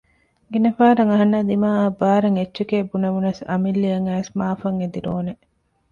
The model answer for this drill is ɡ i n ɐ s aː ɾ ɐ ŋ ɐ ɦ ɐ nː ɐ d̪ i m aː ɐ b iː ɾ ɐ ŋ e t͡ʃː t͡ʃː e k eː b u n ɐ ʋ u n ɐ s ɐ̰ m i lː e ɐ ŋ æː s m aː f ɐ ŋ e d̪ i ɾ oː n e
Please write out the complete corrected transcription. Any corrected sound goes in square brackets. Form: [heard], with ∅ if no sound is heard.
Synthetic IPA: ɡ i n ɐ [f] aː ɾ ɐ ŋ ɐ ɦ ɐ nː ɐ d̪ i m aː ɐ b [aː] ɾ ɐ ŋ e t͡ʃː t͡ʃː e k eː b u n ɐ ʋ u n ɐ s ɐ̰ m i lː [i] ɐ ŋ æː s m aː f ɐ ŋ e d̪ i ɾ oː n e